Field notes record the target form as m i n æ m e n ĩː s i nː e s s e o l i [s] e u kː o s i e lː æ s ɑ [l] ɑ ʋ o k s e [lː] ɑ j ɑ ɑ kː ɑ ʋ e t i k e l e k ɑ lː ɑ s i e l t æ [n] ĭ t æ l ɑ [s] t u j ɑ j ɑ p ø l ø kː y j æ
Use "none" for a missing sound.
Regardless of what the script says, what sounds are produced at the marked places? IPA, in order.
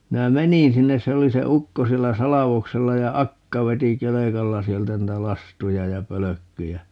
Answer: s, l, lː, n, s

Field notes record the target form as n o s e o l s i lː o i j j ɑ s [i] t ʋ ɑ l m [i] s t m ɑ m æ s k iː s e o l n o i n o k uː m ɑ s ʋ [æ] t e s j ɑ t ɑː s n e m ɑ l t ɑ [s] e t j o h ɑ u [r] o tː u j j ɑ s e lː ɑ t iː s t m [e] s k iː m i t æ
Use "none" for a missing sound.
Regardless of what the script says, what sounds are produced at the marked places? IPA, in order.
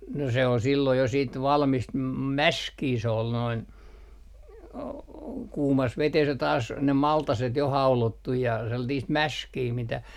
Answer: iː, i, e, s, l, æ

